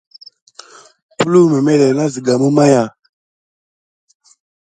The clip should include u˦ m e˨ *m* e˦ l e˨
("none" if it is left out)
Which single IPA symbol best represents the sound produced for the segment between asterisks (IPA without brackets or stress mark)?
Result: m